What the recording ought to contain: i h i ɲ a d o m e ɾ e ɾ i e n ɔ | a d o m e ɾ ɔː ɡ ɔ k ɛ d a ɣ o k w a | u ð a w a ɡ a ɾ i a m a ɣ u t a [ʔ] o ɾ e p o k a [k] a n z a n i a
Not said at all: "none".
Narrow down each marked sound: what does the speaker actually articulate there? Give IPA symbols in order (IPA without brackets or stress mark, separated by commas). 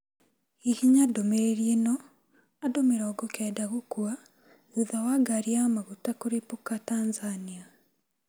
k, t